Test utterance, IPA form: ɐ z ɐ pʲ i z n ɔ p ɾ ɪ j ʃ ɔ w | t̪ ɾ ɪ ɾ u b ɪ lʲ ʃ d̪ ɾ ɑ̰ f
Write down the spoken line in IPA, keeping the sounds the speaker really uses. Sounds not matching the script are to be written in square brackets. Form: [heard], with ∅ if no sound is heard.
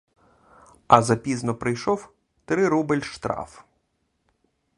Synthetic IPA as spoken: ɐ z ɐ pʲ i z n ɔ p ɾ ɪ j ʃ ɔ w | t̪ ɾ ɪ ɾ u b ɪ lʲ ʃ [t̪] ɾ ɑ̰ f